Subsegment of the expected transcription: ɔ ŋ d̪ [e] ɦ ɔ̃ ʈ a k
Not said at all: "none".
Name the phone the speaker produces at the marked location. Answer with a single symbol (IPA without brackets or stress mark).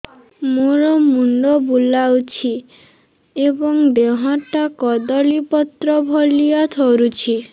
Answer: e